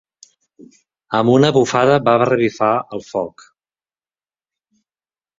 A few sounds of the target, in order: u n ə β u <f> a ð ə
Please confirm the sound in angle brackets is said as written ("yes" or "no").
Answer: yes